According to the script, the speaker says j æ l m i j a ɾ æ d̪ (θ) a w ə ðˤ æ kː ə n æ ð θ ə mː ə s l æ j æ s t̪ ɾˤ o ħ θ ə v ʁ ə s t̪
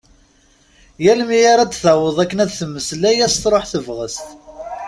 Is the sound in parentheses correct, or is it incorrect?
correct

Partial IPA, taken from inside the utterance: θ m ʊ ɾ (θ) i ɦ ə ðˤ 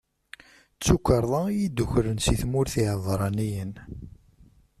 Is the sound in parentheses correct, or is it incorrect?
correct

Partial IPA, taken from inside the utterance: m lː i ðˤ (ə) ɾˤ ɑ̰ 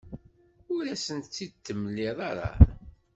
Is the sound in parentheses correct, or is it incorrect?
incorrect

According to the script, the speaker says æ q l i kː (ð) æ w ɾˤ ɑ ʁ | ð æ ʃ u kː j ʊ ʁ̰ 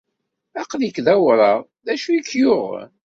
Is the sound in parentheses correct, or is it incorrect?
correct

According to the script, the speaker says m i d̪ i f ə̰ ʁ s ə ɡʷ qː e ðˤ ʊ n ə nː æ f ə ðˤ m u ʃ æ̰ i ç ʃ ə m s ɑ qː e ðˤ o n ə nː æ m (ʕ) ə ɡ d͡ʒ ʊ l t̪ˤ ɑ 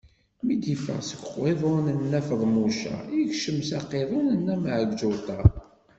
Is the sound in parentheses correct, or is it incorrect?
correct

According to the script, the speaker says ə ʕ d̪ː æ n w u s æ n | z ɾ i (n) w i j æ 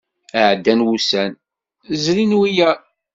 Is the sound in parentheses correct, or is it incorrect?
correct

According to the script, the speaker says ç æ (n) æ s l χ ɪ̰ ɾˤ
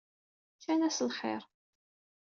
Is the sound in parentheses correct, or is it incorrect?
correct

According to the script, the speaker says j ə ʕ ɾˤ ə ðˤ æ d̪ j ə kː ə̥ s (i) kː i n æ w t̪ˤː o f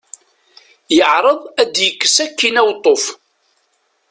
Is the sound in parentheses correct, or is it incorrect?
incorrect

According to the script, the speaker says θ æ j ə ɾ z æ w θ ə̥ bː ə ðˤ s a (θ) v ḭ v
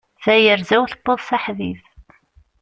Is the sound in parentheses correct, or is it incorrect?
incorrect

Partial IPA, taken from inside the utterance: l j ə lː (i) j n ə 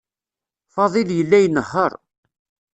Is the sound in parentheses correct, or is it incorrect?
incorrect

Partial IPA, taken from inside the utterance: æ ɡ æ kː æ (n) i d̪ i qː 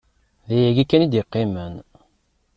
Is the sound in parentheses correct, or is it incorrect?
correct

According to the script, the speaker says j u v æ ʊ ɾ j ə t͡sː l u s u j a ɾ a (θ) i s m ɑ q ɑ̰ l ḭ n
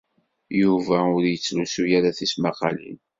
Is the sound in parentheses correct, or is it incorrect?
correct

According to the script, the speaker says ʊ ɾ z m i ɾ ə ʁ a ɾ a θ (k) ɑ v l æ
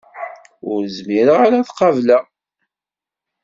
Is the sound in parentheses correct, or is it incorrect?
incorrect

